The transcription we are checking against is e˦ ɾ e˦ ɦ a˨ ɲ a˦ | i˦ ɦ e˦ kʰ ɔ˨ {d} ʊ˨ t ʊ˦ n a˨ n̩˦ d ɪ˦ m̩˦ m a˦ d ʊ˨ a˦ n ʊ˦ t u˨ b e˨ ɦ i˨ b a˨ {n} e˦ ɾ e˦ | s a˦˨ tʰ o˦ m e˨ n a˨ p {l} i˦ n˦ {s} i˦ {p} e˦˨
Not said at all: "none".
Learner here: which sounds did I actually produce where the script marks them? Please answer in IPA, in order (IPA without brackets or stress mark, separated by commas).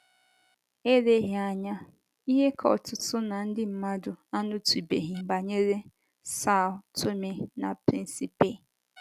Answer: t, ɲ, ɾ, s, p